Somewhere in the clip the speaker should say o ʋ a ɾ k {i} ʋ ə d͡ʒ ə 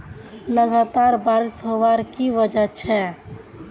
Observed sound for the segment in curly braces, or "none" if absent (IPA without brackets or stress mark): i